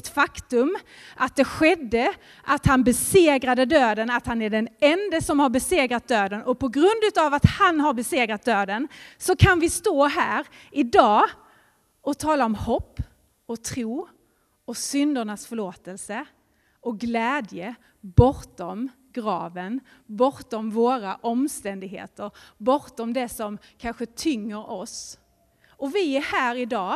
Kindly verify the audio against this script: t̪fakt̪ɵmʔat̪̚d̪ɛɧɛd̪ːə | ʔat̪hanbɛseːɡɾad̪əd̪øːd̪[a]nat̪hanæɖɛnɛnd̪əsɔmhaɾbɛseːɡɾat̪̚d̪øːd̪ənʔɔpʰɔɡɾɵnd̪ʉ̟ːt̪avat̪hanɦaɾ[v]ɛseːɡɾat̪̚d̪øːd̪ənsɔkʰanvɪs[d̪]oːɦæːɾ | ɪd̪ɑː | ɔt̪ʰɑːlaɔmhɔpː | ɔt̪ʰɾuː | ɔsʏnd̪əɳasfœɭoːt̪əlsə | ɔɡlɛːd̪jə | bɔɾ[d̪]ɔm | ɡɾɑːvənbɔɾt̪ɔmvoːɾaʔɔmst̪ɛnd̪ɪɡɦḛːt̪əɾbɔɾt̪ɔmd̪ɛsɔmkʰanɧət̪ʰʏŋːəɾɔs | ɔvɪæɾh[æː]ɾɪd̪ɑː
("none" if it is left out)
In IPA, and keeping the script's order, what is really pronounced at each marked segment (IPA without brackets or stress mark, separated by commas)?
ə, b, t̪, t̪, æː